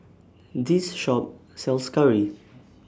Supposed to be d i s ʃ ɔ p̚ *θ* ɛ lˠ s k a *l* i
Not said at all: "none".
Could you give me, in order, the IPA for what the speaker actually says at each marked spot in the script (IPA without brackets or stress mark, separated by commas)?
s, ɹ